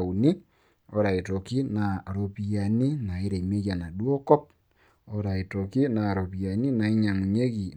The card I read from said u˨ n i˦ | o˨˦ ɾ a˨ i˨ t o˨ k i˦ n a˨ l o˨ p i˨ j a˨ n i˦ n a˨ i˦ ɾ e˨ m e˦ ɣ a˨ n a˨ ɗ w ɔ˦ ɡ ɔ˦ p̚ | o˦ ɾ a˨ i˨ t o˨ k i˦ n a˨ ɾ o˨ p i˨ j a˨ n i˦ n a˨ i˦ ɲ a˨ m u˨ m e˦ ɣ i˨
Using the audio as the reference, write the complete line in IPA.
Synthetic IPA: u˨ n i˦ | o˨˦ ɾ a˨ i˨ t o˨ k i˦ n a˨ ɾ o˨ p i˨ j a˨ n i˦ n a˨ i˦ ɾ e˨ m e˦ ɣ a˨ n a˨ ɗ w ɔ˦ k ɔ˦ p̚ | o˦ ɾ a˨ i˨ t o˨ k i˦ n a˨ ɾ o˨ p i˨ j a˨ n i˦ n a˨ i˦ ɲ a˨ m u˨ ɲ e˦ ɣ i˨